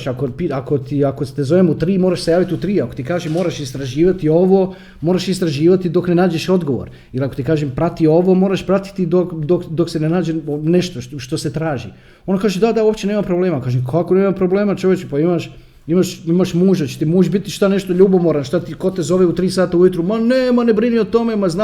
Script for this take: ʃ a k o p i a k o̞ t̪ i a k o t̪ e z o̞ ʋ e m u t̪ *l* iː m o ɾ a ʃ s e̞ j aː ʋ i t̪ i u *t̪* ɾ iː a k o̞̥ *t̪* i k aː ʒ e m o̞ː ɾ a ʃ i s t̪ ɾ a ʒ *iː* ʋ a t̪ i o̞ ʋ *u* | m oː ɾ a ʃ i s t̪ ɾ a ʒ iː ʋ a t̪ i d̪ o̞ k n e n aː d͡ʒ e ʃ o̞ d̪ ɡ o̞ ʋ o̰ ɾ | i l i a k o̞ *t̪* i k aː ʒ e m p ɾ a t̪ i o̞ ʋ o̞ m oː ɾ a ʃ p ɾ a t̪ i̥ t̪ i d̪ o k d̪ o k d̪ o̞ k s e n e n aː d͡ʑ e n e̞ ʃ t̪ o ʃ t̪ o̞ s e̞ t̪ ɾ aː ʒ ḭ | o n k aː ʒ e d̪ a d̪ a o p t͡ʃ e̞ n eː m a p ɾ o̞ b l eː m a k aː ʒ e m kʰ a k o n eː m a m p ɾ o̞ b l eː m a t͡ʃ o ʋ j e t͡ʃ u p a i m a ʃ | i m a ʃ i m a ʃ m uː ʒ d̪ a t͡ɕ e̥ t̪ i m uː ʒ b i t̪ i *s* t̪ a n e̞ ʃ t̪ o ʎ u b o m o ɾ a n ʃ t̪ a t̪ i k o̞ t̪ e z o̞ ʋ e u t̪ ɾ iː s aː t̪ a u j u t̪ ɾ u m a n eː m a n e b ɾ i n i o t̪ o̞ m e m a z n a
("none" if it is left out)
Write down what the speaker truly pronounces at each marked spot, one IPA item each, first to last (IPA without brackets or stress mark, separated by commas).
ɾ, t̪, t̪, iː, o, t̪, ʃ